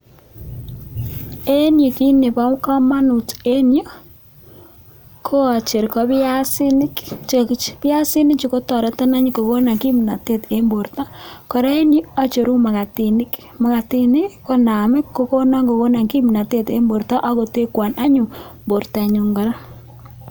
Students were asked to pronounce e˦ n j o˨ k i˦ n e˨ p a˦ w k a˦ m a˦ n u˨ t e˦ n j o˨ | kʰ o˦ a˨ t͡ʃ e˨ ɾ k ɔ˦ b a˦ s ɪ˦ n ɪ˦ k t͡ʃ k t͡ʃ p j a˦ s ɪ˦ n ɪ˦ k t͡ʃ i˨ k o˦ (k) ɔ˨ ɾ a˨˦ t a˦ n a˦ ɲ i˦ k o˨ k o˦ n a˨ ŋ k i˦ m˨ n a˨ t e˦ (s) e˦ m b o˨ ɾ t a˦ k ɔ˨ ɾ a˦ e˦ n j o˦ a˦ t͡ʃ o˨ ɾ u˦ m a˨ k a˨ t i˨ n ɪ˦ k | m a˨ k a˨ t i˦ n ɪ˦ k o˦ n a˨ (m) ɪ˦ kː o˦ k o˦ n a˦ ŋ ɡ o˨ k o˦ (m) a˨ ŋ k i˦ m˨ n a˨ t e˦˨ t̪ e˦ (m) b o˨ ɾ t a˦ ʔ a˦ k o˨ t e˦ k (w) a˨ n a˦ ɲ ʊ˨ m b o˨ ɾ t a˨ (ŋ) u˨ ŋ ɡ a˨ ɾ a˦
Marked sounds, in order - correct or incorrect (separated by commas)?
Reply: incorrect, incorrect, correct, incorrect, correct, correct, incorrect